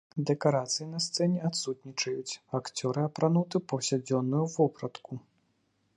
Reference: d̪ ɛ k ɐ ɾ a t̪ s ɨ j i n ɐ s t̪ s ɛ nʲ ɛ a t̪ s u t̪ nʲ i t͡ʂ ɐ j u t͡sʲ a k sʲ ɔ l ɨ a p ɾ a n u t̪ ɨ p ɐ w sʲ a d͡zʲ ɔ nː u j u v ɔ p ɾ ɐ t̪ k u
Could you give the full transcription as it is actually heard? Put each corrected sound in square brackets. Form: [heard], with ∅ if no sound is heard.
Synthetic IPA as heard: d̪ ɛ k [a] ɾ a t̪ s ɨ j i n ɐ s t̪ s ɛ nʲ ɛ a t̪ s u t̪ nʲ i t͡ʂ ɐ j u t͡sʲ a k [t͡sʲ] ɔ [ɾ] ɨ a p ɾ a n u t̪ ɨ p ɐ w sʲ a d͡zʲ ɔ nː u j u v ɔ p ɾ ɐ t̪ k u

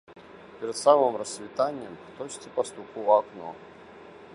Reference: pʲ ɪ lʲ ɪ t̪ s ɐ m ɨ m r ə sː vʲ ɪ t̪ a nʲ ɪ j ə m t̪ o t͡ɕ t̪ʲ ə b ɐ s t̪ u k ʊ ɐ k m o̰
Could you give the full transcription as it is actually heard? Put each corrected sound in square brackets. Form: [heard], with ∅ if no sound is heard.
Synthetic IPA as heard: pʲ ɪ [ɾʲ] ɪ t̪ s [a] m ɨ m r ə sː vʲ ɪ t̪ a nʲ ɪ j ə m t̪ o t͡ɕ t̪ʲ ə [p] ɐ s t̪ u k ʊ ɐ k [n] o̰

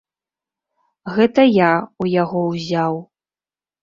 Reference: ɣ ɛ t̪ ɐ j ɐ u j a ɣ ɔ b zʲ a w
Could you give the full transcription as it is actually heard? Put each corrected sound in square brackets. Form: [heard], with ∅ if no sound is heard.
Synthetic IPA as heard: ɣ ɛ t̪ ɐ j [a] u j a ɣ ɔ [w] zʲ a w

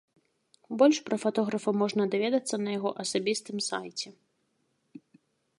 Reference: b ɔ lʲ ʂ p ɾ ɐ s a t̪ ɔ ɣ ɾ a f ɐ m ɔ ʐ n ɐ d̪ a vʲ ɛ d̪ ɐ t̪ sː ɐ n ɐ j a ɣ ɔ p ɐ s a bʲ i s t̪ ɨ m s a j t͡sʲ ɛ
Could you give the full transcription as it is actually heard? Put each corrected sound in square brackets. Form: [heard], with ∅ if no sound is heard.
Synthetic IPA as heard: b ɔ lʲ ʂ p ɾ ɐ [f] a t̪ ɔ ɣ ɾ [ɐ] f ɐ m ɔ ʐ n ɐ d̪ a vʲ ɛ d̪ ɐ t̪ sː ɐ n ɐ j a ɣ ɔ [ʔ] ɐ s a bʲ i s t̪ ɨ m s a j t͡sʲ ɛ

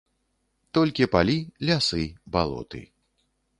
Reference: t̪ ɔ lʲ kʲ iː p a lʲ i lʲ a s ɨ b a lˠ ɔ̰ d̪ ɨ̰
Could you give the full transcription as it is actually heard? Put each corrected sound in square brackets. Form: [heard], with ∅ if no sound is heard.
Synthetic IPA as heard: t̪ ɔ lʲ kʲ [i] p a lʲ i lʲ a s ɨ b a lˠ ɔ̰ [t̪] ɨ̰

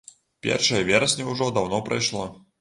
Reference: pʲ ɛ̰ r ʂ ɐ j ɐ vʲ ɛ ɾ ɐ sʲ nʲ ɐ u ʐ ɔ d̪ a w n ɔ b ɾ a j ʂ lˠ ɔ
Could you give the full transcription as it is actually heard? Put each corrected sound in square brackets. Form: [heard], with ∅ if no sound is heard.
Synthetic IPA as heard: pʲ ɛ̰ r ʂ ɐ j ɐ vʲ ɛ ɾ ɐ sʲ nʲ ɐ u ʐ ɔ d̪ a w n ɔ [p] ɾ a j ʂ lˠ ɔ

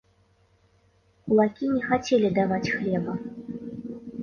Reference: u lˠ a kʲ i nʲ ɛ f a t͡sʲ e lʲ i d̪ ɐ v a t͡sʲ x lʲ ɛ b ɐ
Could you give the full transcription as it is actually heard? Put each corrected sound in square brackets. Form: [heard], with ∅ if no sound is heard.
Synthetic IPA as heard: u lˠ a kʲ i nʲ ɛ [x] a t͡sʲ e lʲ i d̪ [a] v a t͡sʲ x lʲ ɛ b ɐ

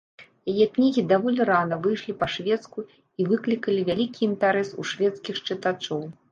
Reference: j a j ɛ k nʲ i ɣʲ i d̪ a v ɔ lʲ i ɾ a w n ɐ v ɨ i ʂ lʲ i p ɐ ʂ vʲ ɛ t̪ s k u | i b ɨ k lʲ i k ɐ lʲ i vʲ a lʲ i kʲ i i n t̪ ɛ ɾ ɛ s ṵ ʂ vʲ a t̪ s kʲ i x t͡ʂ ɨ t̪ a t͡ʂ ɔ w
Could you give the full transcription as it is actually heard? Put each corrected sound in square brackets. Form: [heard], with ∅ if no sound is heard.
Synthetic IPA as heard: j a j ɛ k nʲ i ɣʲ i d̪ a v ɔ lʲ i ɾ a [∅] n ɐ v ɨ [j] ʂ lʲ i p ɐ ʂ vʲ ɛ t̪ s k u | i [v] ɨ k lʲ i k ɐ lʲ i vʲ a lʲ i kʲ i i n t̪ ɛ ɾ ɛ s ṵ ʂ vʲ [ɛ] t̪ s kʲ i x t͡ʂ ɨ t̪ a t͡ʂ ɔ w

